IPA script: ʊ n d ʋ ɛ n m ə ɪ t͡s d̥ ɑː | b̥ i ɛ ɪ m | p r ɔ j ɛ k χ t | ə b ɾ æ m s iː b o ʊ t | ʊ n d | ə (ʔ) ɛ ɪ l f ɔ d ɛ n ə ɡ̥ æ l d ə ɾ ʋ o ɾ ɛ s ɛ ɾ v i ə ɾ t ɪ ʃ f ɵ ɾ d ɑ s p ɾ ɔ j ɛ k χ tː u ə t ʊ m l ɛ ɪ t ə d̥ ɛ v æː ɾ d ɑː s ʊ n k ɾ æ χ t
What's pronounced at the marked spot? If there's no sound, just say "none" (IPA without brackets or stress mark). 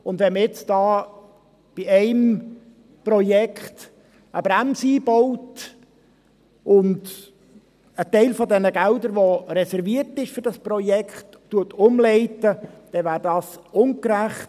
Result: t